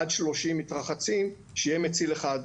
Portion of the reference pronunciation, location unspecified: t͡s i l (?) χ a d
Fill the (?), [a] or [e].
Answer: e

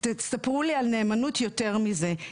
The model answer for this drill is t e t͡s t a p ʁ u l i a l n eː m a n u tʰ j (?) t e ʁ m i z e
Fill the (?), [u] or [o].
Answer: o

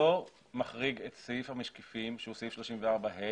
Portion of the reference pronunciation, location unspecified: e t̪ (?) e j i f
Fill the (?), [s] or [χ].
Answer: s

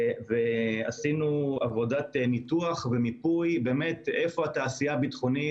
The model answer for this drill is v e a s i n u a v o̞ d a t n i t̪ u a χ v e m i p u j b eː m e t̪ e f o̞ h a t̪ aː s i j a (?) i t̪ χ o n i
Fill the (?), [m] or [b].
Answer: b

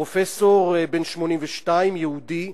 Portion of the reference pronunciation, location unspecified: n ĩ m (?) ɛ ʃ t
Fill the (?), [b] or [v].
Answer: v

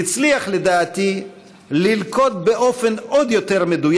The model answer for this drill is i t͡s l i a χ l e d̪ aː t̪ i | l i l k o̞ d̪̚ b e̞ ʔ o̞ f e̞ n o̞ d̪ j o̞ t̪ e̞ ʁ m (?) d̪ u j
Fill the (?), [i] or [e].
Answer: e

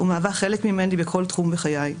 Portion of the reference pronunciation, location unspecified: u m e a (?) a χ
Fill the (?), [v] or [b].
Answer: v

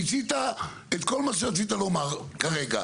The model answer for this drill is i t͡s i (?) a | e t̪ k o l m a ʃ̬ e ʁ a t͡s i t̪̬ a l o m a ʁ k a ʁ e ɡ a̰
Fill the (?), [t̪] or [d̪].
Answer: t̪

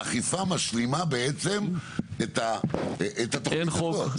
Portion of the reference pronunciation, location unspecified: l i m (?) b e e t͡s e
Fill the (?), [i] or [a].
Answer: a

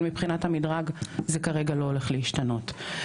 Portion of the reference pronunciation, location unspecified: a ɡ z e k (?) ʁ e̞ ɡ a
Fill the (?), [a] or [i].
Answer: a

